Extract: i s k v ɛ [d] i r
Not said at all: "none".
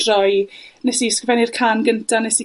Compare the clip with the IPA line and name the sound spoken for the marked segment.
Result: n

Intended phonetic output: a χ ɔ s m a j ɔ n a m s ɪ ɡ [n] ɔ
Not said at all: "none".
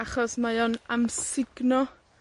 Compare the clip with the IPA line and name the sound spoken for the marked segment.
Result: n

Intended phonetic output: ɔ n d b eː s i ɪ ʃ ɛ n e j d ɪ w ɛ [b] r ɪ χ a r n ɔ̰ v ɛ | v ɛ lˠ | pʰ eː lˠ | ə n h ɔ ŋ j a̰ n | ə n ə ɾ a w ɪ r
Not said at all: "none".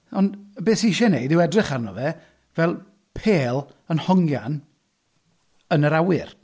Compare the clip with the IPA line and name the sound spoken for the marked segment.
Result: d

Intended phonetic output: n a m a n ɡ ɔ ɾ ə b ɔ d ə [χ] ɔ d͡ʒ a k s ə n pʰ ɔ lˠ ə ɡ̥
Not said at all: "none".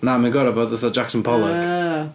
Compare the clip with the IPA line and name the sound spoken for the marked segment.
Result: θ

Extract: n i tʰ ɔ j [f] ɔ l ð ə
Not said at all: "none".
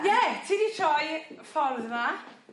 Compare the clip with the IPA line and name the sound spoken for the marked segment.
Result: f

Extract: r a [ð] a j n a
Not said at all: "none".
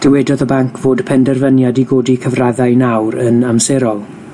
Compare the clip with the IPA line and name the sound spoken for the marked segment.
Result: ð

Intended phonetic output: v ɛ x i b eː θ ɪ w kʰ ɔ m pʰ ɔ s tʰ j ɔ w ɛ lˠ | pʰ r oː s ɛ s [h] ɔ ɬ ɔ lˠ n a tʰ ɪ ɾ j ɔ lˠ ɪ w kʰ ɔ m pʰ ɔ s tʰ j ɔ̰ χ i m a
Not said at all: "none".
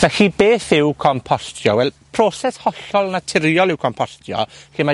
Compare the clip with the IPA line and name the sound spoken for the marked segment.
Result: h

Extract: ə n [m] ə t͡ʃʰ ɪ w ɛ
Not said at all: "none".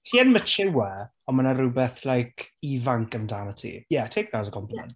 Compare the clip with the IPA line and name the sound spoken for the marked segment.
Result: m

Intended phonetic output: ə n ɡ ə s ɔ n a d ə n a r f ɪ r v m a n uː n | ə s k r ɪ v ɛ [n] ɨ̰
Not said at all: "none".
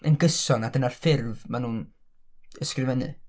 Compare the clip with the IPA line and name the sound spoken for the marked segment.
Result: n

